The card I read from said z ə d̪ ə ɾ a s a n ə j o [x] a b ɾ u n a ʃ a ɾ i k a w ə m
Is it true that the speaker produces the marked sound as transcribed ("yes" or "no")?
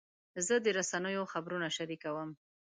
yes